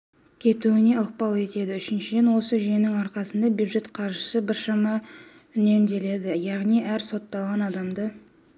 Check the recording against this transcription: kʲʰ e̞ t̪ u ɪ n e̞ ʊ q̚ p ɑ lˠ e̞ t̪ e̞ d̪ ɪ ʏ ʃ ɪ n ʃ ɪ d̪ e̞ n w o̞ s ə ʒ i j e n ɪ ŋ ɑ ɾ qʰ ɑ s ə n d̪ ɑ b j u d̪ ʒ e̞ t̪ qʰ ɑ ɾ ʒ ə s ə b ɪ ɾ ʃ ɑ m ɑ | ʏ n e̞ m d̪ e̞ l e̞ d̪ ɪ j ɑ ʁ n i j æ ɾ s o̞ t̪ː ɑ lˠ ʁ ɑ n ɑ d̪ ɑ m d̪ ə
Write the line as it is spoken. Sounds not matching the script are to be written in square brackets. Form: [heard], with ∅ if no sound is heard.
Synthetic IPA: kʲʰ e̞ t̪ u ɪ n e̞ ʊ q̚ p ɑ lˠ e̞ t̪ e̞ d̪ ɪ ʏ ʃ ɪ n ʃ ɪ d̪ e̞ n w o̞ s ə ʒ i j e n ɪ ŋ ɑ ɾ [q] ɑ s ə n d̪ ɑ b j u d̪ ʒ e̞ t̪ qʰ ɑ ɾ ʒ ə s ə b ɪ ɾ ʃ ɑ m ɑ | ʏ n e̞ m d̪ e̞ l e̞ d̪ ɪ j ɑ ʁ n i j æ ɾ s o̞ t̪ː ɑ lˠ ʁ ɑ n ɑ d̪ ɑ m d̪ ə